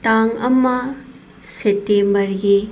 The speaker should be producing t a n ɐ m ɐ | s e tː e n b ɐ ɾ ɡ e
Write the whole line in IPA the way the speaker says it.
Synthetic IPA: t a ŋ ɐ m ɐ | s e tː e m b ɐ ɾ ɡ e